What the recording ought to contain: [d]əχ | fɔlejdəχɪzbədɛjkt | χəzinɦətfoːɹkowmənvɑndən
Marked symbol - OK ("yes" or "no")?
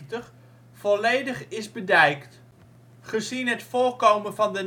no